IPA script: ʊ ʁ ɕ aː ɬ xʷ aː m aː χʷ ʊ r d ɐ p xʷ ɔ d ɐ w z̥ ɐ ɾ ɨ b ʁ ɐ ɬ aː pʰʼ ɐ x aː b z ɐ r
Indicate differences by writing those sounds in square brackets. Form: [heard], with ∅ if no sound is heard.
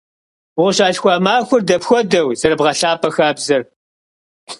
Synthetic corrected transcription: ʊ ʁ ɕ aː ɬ xʷ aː m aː [xʷ] ʊ r d ɐ p xʷ ɔ d ɐ w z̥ ɐ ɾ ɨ b ʁ ɐ ɬ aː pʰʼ ɐ x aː b z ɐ r